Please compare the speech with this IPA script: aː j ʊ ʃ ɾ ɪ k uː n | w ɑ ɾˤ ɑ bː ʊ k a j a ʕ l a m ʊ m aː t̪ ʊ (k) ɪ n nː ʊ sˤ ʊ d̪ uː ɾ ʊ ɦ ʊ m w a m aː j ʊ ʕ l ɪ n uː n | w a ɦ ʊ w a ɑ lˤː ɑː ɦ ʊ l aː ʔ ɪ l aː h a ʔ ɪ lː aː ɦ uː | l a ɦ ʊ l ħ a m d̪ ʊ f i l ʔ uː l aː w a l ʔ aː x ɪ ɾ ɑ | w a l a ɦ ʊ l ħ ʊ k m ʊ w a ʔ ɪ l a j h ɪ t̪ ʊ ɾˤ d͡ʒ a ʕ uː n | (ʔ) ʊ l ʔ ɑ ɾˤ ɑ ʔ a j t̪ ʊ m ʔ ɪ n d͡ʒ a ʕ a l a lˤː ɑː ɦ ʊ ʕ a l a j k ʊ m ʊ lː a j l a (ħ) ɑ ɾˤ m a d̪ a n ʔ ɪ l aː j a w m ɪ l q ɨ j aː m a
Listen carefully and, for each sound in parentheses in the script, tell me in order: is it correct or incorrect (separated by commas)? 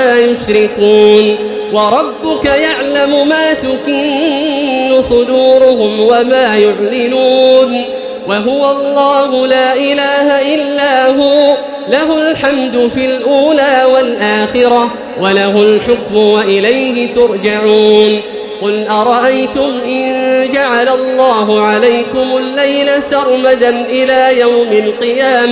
correct, incorrect, incorrect